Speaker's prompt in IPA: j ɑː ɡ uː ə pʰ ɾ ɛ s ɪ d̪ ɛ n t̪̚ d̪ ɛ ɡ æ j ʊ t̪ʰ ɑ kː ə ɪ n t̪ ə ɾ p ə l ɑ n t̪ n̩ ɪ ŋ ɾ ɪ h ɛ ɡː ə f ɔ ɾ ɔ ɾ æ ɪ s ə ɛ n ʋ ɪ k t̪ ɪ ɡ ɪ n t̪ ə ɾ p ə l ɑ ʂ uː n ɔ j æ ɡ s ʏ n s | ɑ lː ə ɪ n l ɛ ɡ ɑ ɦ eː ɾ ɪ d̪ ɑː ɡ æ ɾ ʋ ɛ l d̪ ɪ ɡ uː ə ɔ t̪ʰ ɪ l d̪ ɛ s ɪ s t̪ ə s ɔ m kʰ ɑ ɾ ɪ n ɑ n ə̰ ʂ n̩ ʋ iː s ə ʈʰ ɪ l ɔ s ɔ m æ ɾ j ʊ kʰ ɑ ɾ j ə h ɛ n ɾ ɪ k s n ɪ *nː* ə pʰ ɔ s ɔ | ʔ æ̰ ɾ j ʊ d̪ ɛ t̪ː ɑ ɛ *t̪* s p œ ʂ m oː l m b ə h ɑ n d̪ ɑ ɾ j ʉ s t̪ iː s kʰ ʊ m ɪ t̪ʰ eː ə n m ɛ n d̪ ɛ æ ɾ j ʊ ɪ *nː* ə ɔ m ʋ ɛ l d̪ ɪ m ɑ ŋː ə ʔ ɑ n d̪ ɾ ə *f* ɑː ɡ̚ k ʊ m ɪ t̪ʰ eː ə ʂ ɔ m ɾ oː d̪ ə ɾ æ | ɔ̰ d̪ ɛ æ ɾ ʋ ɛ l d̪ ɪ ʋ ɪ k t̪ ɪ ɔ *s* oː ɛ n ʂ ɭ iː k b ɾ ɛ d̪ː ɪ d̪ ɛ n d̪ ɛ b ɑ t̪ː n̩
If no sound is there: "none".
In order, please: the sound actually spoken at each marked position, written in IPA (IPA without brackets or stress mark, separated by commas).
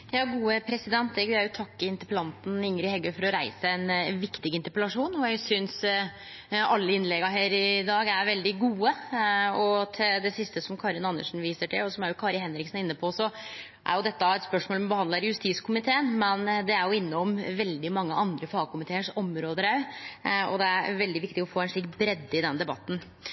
nː, t̪, nː, f, f